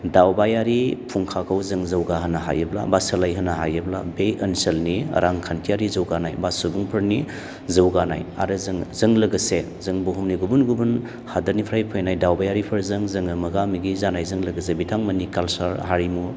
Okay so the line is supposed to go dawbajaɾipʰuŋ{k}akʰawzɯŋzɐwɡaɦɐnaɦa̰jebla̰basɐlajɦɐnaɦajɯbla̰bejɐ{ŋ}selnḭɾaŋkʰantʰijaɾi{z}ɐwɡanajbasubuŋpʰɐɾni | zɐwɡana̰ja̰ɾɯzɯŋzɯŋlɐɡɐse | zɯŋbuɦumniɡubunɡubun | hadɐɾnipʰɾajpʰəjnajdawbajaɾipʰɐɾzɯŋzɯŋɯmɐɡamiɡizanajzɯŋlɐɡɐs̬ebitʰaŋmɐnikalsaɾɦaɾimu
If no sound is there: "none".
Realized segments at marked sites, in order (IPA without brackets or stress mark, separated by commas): kʰ, n, z